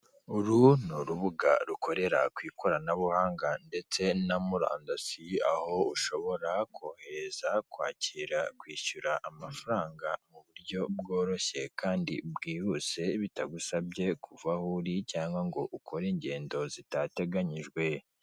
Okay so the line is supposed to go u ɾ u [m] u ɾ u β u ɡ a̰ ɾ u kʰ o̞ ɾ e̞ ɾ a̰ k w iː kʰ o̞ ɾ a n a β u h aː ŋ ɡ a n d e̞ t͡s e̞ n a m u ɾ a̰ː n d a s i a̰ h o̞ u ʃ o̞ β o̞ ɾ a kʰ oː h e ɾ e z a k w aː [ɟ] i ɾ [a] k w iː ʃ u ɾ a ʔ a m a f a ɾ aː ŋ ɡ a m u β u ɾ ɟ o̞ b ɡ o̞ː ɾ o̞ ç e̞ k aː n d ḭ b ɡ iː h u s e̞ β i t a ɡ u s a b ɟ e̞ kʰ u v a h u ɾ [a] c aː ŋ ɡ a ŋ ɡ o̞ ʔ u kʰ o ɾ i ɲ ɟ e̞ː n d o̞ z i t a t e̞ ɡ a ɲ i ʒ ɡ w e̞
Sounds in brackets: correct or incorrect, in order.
incorrect: n, incorrect: c, correct, incorrect: i

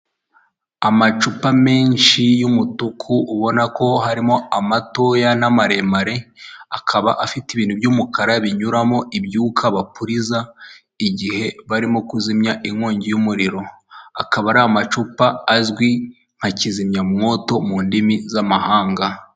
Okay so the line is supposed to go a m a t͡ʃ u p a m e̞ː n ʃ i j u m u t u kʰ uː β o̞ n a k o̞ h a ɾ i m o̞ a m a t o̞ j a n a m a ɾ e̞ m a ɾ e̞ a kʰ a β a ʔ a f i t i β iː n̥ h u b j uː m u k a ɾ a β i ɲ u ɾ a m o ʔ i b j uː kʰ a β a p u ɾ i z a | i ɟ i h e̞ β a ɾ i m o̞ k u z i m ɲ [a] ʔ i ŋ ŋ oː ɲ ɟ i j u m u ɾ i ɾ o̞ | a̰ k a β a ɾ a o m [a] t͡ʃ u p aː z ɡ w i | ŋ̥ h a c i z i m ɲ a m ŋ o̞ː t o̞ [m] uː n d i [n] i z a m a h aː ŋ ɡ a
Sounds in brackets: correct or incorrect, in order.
correct, correct, correct, incorrect: m

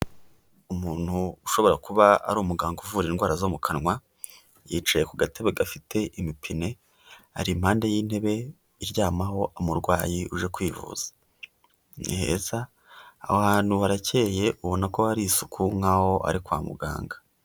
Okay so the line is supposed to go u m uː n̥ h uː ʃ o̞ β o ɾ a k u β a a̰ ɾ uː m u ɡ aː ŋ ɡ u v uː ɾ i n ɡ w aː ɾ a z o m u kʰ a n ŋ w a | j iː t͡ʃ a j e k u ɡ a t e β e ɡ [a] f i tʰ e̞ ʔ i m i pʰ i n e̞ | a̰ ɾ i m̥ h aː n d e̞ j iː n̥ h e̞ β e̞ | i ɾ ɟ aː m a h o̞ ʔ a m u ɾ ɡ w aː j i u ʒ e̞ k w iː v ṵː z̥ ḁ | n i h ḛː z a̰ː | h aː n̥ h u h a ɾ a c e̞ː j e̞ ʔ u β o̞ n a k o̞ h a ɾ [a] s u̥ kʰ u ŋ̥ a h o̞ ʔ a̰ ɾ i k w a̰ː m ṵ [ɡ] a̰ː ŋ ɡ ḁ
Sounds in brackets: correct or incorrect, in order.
correct, incorrect: i, correct

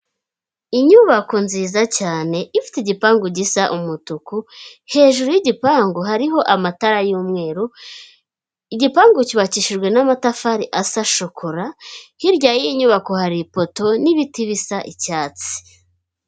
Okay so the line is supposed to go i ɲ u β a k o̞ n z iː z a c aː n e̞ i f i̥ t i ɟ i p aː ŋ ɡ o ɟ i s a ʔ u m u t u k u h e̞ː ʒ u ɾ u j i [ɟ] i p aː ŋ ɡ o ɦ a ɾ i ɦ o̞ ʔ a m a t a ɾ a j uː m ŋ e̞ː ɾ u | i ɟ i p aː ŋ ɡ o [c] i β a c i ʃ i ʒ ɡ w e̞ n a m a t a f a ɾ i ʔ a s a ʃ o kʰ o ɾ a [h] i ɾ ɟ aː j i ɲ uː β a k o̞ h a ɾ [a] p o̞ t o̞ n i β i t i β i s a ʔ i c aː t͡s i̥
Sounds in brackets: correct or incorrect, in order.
correct, correct, correct, incorrect: i

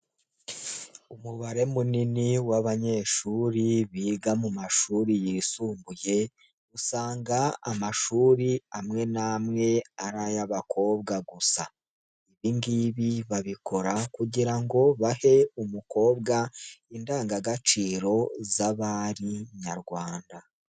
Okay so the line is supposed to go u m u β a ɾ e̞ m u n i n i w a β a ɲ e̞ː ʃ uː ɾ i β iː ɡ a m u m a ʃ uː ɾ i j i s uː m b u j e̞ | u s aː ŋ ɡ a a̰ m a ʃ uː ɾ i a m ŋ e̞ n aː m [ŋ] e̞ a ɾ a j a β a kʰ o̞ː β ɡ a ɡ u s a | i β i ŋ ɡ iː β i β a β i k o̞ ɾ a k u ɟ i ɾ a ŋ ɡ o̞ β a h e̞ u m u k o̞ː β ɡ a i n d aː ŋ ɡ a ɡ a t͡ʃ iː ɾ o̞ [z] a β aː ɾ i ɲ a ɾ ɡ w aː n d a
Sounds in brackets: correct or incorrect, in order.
correct, correct

